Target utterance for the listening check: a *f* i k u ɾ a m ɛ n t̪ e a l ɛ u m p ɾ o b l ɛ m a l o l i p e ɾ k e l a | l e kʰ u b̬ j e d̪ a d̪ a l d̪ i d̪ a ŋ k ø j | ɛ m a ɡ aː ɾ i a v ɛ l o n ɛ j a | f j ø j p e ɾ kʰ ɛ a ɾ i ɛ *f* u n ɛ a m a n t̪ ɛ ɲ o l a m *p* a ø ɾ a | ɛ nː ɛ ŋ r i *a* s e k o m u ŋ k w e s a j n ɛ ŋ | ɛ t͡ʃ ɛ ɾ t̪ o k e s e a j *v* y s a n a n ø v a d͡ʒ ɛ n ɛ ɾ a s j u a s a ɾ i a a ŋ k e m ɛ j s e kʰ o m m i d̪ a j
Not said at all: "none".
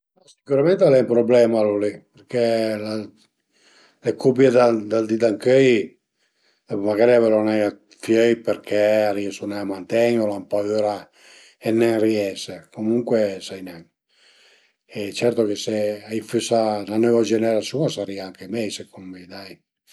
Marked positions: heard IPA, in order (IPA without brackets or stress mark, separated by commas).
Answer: s, s, p, ɛ, f